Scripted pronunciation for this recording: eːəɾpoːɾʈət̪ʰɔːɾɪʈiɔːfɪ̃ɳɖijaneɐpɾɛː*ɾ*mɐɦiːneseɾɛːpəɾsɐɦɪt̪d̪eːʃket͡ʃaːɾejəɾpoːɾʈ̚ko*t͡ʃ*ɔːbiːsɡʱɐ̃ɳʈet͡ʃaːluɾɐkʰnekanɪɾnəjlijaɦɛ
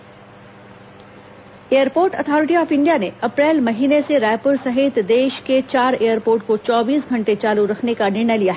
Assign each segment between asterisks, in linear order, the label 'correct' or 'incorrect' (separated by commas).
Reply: incorrect, correct